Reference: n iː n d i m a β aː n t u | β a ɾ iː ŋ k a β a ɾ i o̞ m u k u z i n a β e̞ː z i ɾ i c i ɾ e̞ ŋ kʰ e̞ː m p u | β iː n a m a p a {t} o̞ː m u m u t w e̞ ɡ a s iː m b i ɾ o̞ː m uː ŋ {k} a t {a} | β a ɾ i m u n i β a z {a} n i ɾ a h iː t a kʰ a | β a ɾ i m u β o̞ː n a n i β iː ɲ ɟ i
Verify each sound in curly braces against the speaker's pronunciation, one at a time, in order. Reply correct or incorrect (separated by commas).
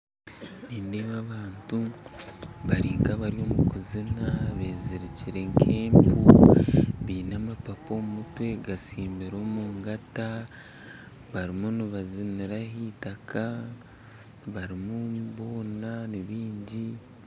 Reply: incorrect, incorrect, correct, incorrect